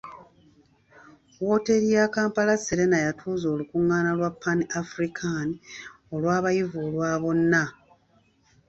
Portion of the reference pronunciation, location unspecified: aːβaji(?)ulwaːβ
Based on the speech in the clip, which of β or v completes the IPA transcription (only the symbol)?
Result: v